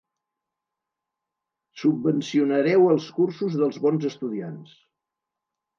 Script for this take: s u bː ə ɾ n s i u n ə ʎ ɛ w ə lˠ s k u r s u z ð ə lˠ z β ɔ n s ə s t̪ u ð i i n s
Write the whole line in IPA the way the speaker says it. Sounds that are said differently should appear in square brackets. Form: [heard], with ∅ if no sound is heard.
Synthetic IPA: s u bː ə [∅] n s i u n ə [ɾ] ɛ w ə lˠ s k u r s u z ð ə lˠ z β ɔ n [z] ə s t̪ u ð i [a] n s